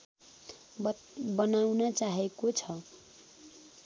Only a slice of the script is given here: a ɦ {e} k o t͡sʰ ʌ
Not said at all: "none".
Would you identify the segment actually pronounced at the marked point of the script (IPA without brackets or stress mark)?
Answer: e